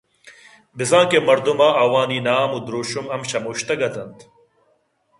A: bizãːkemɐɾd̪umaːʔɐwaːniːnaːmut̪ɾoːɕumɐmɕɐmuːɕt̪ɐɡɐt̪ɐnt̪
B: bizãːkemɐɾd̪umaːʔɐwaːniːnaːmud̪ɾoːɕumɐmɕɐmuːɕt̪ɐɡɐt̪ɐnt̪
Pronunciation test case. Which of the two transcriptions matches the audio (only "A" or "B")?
B